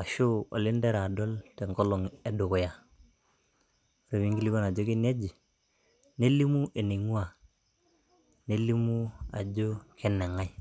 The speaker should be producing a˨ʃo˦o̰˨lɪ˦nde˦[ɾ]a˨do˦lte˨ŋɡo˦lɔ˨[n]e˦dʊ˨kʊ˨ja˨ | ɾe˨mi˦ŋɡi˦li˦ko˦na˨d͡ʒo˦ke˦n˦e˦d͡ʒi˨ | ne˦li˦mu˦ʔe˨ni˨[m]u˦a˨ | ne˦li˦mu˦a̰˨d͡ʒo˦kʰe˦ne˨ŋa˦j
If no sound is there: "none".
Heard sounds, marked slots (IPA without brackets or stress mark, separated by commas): ɾ, ŋ, ŋ